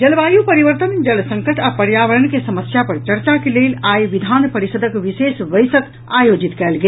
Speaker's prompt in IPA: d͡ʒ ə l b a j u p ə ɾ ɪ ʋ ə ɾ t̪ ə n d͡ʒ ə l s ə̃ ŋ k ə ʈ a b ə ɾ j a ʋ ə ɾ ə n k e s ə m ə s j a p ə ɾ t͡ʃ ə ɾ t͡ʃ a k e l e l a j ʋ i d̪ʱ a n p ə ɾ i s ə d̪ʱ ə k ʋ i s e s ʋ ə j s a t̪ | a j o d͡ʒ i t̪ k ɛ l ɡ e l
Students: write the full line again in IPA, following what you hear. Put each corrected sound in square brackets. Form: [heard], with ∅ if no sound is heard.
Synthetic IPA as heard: d͡ʒ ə l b a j u p ə ɾ [i] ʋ ə ɾ t̪ ə n d͡ʒ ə l s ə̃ ŋ k ə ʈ a [p] ə ɾ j a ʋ ə ɾ ə n k e s ə m ə s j a p ə ɾ t͡ʃ ə ɾ t͡ʃ a k e l e l a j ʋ i d̪ʱ a n p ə ɾ i s ə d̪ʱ ə k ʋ i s e s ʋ ə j s [ə] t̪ | a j o d͡ʒ i t̪ k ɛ l ɡ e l